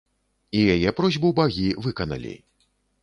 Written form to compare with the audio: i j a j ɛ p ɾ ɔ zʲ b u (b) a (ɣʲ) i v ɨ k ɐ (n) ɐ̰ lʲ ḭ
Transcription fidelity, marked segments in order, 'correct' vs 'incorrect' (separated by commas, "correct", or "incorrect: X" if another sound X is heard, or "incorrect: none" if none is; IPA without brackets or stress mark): correct, correct, correct